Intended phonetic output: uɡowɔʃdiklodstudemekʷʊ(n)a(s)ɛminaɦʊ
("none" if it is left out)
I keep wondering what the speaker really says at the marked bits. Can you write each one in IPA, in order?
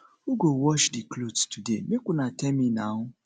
n, t

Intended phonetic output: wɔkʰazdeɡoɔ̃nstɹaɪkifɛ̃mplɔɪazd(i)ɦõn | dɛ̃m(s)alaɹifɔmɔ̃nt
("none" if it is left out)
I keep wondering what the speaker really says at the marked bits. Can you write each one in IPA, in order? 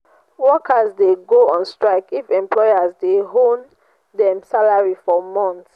e, s

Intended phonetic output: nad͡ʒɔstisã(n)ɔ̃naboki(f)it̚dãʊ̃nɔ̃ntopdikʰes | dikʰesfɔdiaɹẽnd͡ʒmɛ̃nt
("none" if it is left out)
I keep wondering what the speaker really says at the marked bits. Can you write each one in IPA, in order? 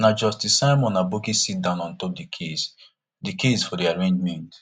m, s

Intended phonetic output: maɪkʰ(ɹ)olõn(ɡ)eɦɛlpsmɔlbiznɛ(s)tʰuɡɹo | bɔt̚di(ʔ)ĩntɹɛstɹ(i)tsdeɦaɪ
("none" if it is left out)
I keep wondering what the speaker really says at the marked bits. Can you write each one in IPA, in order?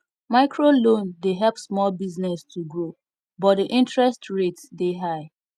ɹ, d, s, ʔ, e

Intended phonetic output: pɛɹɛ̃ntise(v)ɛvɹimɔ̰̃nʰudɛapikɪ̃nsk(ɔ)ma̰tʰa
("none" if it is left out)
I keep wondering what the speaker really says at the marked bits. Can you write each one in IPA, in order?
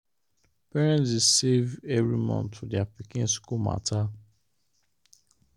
v, u

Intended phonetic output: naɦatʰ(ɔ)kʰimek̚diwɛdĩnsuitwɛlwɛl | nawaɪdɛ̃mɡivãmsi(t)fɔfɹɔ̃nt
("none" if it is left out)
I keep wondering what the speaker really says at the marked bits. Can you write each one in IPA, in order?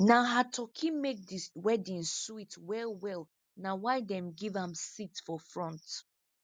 ɔ, t

